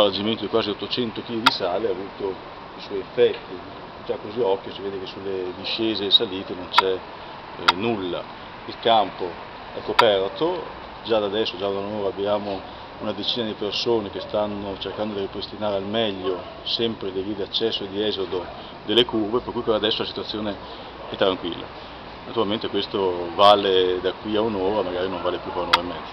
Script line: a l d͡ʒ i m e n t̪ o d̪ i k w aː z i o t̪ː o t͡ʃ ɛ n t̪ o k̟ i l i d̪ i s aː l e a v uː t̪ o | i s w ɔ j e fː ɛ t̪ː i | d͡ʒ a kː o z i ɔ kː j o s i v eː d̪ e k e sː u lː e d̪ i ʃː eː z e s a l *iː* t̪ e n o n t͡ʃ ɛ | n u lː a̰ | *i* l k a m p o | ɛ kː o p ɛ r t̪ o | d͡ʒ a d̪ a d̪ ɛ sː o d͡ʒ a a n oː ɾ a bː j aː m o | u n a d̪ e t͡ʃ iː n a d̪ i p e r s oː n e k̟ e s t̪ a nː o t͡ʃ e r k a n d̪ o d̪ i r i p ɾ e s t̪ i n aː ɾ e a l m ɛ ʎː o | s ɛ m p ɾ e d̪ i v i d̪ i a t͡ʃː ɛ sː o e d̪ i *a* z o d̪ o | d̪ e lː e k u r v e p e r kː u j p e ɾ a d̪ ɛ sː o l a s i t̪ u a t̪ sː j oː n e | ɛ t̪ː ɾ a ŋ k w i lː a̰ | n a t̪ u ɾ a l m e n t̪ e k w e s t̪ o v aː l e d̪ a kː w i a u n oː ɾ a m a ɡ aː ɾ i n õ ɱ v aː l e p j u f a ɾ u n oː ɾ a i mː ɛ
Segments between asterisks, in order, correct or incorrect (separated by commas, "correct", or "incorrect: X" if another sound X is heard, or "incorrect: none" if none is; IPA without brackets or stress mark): correct, correct, incorrect: ɛ